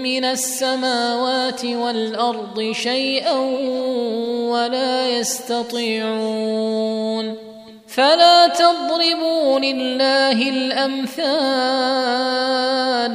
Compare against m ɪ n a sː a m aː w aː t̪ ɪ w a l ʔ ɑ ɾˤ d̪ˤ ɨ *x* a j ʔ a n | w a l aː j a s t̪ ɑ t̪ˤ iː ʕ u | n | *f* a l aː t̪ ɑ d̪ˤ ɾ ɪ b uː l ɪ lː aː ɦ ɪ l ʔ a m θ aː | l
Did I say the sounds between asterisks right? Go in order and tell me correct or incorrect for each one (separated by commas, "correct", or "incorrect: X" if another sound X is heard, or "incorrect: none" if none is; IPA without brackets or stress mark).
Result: incorrect: ʃ, correct